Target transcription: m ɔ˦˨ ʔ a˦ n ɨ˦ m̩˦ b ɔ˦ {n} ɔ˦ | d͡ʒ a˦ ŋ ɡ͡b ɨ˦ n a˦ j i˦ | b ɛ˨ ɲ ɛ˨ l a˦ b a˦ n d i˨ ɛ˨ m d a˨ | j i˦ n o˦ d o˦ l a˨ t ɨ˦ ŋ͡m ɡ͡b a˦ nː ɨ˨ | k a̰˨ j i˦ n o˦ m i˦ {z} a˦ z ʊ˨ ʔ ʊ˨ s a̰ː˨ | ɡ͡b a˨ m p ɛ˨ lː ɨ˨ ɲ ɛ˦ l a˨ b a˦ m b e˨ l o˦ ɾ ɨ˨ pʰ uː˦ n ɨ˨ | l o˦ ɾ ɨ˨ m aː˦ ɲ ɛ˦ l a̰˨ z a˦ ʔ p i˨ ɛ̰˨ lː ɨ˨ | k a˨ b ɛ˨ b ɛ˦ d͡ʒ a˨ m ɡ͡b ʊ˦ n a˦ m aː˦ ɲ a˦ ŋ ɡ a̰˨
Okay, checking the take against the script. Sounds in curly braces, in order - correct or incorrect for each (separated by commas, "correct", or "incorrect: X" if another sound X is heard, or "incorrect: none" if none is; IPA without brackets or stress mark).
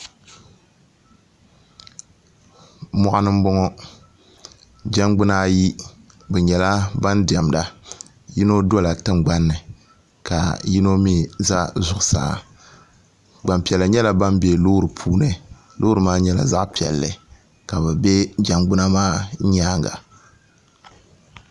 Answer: incorrect: ŋ, correct